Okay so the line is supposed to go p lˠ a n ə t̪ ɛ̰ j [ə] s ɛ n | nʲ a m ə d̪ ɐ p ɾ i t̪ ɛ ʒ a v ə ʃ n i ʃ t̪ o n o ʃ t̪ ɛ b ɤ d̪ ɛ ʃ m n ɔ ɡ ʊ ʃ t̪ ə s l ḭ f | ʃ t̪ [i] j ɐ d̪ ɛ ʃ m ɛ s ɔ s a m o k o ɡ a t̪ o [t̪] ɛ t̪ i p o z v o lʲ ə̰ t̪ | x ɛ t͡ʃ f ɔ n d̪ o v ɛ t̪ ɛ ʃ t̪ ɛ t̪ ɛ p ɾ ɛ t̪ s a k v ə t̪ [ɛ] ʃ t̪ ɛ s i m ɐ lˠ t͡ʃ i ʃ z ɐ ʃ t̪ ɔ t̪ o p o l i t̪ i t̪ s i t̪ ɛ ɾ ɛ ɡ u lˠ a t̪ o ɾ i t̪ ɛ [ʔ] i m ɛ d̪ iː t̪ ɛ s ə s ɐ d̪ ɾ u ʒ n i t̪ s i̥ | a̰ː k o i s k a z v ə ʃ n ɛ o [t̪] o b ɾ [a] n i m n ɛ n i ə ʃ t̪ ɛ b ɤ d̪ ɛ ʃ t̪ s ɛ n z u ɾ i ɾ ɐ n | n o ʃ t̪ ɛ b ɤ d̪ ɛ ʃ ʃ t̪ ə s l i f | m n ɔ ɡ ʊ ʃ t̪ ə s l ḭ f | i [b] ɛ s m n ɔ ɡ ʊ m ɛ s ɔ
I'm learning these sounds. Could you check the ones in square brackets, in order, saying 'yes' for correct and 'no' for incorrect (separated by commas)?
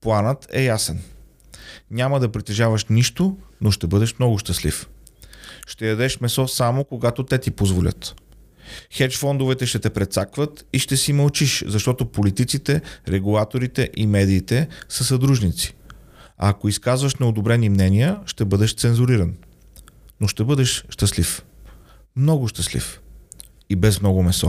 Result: no, no, yes, no, yes, no, no, yes